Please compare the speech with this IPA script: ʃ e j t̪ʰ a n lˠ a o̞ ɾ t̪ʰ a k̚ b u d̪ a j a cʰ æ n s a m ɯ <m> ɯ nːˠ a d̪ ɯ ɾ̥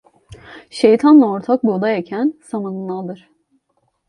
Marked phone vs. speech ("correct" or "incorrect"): incorrect